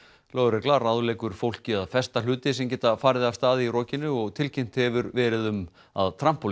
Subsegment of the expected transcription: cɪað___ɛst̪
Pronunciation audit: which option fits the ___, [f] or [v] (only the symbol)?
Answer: f